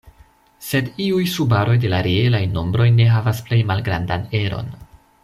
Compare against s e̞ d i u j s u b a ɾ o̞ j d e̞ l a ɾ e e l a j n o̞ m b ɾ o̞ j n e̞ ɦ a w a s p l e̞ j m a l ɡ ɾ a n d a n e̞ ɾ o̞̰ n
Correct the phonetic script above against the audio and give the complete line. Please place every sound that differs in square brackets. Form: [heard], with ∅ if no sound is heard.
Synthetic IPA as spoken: s e̞ d i u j s u b a ɾ o̞ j d e̞ l a ɾ e e l a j n o̞ m b ɾ o̞ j n e̞ ɦ a [v] a s p l e̞ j m a l ɡ ɾ a n d a n e̞ ɾ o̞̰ n